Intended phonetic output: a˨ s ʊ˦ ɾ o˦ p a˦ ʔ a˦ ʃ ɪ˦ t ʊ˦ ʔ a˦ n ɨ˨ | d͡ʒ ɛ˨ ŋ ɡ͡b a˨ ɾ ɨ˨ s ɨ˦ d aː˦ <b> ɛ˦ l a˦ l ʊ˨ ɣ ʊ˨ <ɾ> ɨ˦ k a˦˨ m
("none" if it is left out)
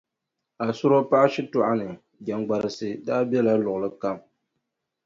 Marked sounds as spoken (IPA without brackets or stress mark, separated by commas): b, l